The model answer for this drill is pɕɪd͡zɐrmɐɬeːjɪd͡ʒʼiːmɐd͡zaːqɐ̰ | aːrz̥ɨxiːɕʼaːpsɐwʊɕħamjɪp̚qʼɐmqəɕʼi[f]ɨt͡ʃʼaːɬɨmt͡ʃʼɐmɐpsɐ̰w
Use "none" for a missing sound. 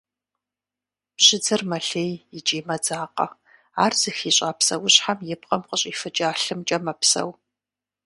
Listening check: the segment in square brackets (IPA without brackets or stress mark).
f